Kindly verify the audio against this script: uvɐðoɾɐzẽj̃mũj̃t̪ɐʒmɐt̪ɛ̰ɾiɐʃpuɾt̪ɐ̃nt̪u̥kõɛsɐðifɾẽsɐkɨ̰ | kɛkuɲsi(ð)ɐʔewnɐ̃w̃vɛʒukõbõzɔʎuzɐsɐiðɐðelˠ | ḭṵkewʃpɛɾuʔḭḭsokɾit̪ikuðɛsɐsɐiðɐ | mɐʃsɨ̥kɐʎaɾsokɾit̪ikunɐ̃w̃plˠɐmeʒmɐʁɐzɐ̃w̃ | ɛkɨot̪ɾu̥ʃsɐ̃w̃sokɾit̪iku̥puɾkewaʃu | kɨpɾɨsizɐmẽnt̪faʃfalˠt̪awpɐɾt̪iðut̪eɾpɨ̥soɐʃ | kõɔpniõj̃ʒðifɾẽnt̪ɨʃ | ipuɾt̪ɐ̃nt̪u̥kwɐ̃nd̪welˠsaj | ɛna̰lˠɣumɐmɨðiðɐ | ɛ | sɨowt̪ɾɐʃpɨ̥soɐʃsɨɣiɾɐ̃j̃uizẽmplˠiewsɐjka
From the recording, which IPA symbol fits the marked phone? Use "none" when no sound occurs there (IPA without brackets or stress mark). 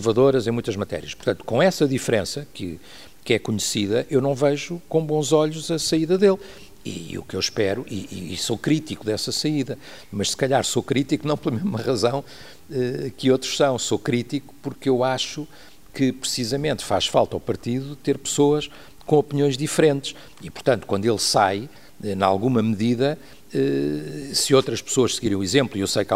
ð